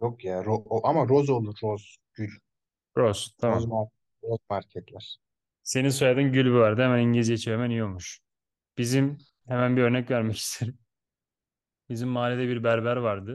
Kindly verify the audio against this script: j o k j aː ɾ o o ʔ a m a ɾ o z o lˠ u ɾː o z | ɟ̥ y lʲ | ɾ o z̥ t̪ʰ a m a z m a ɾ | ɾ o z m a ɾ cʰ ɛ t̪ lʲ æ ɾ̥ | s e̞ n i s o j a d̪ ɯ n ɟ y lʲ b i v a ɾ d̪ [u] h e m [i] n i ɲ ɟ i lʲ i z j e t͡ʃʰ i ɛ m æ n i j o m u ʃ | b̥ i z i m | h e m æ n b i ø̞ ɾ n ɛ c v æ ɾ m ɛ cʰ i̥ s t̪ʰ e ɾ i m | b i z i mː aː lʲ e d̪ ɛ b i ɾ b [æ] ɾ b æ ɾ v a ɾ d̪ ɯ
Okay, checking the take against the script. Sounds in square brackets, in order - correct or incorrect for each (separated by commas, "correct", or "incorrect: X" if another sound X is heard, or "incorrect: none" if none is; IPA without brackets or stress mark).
incorrect: ɯ, incorrect: æ, correct